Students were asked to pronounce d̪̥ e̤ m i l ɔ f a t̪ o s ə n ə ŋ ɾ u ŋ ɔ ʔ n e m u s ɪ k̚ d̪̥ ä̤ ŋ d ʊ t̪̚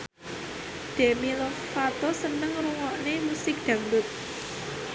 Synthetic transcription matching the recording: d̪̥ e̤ m i l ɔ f a t̪ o s ə n ə ŋ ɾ u ŋ ɔ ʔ n e m u s ɪ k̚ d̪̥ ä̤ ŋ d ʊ t̪̚